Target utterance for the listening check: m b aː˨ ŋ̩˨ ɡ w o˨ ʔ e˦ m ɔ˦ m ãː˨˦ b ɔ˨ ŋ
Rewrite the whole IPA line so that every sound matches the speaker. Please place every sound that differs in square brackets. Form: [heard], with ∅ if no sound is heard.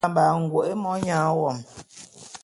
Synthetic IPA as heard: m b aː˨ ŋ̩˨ ɡ w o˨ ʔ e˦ m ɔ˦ [ɲ] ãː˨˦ [w] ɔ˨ [m]